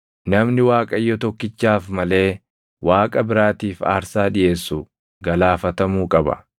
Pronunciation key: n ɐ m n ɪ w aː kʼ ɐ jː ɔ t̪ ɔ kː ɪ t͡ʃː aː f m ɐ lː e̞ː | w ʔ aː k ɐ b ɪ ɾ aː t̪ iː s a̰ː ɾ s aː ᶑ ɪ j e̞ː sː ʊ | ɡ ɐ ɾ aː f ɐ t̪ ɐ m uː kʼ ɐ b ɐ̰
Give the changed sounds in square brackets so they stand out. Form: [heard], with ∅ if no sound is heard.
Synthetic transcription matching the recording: n ɐ m n ɪ w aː kʼ ɐ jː ɔ t̪ ɔ kː ɪ t͡ʃː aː f m ɐ [l] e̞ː | w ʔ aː [kʼ] ɐ b ɪ ɾ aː t̪ iː [f] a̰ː ɾ s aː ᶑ ɪ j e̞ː sː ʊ | ɡ ɐ [l] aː f ɐ t̪ ɐ m uː kʼ ɐ b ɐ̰